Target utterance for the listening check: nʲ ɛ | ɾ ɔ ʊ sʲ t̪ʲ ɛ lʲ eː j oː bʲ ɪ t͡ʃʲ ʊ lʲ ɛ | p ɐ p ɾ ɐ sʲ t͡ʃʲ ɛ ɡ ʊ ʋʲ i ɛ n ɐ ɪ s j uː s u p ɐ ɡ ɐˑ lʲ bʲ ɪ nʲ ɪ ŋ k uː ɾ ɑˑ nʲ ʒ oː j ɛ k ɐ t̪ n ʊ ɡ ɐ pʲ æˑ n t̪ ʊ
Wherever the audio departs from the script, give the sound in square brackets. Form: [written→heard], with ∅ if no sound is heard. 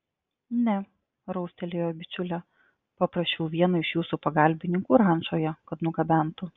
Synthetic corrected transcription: nʲ ɛ | ɾ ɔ ʊ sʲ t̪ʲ ɛ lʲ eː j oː bʲ ɪ t͡ʃʲ ʊ lʲ ɛ | p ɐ p ɾ ɐ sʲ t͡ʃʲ ɛ [ɡ→∅] ʊ ʋʲ i ɛ n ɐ ɪ [s→ʃ] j uː s u p ɐ ɡ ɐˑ lʲ bʲ ɪ nʲ ɪ ŋ k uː ɾ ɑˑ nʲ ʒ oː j ɛ k ɐ t̪ n ʊ ɡ ɐ [pʲ→bʲ] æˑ n t̪ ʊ

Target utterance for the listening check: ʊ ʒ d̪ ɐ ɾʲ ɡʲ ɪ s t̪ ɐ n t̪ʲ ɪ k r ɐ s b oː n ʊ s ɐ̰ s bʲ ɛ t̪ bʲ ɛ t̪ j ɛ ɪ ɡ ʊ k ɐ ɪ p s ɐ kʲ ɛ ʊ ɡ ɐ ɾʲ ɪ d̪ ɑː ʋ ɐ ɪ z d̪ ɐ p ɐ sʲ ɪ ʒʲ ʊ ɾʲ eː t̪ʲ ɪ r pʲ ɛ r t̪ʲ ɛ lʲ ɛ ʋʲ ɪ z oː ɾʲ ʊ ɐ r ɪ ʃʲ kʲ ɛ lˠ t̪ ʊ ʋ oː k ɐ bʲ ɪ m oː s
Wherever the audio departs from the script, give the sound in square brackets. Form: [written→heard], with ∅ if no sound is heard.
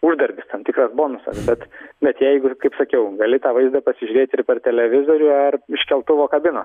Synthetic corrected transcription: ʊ ʒ d̪ ɐ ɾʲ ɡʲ ɪ s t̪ ɐ n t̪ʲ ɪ k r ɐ s b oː n ʊ s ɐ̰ s bʲ ɛ t̪ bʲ ɛ t̪ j ɛ ɪ ɡ ʊ k ɐ ɪ p s ɐ kʲ ɛ ʊ ɡ ɐ [ɾʲ→lʲ] ɪ [d̪→t̪] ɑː ʋ ɐ ɪ z d̪ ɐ p ɐ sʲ ɪ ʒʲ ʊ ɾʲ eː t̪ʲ ɪ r pʲ ɛ r t̪ʲ ɛ lʲ ɛ ʋʲ ɪ z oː ɾʲ ʊ ɐ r ɪ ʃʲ kʲ ɛ lˠ t̪ ʊ ʋ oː k ɐ bʲ ɪ [m→n] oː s

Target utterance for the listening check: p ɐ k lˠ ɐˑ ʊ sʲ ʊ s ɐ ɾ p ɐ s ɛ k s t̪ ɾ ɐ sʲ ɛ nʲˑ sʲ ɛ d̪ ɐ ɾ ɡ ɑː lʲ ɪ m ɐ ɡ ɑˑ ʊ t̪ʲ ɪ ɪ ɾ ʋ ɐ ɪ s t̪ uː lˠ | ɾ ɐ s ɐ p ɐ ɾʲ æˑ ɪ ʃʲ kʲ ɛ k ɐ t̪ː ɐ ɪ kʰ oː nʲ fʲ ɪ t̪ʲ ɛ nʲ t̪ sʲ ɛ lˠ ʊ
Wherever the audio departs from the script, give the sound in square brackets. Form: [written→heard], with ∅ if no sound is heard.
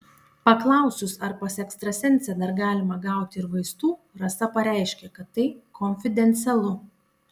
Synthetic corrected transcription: p ɐ k lˠ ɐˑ ʊ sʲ ʊ s ɐ ɾ p ɐ s ɛ k s t̪ ɾ ɐ sʲ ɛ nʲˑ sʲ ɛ d̪ ɐ ɾ ɡ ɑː lʲ ɪ m ɐ ɡ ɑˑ ʊ t̪ʲ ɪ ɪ ɾ ʋ ɐ ɪ s t̪ uː [lˠ→∅] | ɾ ɐ s ɐ p ɐ ɾʲ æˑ ɪ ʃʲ kʲ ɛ k ɐ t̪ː ɐ ɪ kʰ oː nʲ fʲ ɪ [t̪ʲ→d̪ʲ] ɛ nʲ t̪ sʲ ɛ lˠ ʊ

